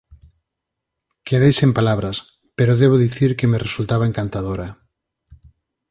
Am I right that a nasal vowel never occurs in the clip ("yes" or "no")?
yes